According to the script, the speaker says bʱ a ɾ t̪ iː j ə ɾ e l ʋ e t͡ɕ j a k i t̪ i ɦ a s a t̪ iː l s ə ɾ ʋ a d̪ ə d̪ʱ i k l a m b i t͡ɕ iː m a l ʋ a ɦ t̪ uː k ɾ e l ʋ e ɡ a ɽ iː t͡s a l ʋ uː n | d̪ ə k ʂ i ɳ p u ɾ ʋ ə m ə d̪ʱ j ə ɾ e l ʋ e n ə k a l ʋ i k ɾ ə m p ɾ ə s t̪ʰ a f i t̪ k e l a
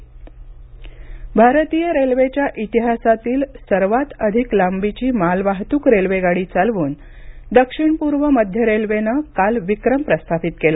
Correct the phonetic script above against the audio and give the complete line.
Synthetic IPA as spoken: bʱ a ɾ t̪ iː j ə ɾ e l ʋ e t͡ɕ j a ʔ i t̪ i ɦ a s a t̪ iː l s ə ɾ ʋ a t̪ ə d̪ʱ i k l a m b i t͡ɕ iː m a l ʋ a ɦ t̪ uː k ɾ e l ʋ e ɡ a ɽ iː t͡s a l ʋ uː n | d̪ ə k ʂ i ɳ p u ɾ ʋ ə m ə d̪ʱ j ə ɾ e l ʋ e n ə k a l ʋ i k ɾ ə m p ɾ ə s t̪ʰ a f i t̪ k e l a